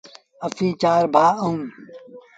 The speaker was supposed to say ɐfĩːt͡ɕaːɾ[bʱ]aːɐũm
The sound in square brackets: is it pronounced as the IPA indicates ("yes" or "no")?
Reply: yes